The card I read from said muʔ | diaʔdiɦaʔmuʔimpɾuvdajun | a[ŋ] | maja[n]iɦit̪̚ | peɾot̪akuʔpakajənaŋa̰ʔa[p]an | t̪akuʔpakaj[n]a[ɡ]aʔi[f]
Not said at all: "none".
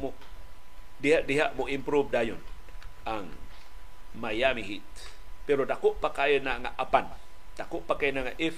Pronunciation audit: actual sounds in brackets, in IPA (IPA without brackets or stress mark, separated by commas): ŋ, m, p, n, ŋ, f